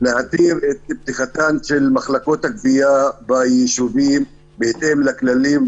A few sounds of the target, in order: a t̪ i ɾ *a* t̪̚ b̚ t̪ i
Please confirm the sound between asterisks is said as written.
no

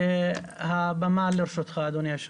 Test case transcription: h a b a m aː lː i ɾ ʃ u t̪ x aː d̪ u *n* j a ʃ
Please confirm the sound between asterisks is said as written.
yes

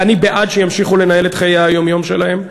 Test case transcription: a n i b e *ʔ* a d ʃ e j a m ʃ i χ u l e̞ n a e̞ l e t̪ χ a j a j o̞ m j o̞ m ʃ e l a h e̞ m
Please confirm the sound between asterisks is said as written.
yes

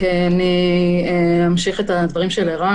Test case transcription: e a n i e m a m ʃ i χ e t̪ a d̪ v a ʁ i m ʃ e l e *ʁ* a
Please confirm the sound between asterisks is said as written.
yes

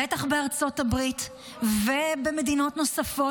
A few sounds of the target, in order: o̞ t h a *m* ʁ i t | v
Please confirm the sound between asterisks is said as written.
no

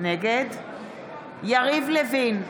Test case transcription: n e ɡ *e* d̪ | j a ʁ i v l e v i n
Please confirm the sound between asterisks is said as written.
yes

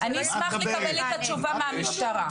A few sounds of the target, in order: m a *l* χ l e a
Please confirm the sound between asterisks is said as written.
no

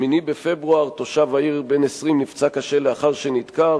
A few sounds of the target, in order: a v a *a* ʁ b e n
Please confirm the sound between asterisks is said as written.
no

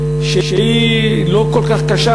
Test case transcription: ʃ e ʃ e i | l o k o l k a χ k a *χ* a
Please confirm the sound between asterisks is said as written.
no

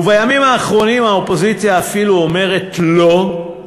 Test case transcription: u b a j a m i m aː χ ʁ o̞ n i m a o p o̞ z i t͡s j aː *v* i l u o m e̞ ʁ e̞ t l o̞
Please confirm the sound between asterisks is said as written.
no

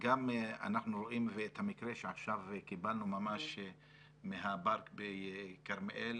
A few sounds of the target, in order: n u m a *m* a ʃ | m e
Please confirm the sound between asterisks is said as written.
yes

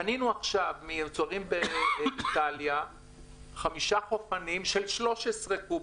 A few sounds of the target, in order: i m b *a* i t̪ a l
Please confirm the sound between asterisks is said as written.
no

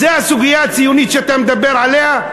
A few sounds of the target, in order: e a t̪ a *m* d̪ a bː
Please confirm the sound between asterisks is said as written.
yes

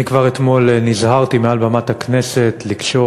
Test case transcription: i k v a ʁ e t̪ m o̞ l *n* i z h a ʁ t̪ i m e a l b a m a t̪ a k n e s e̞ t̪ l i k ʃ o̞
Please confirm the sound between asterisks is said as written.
yes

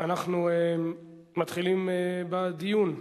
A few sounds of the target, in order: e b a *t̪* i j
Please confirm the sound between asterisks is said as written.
no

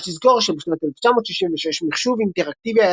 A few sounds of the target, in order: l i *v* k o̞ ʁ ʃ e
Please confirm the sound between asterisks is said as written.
no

